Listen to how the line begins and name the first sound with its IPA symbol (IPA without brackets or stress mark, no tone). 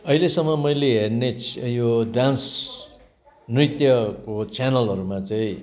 ʌ